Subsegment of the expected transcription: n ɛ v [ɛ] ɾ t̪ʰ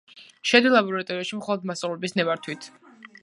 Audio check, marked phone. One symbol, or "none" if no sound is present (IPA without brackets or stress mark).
a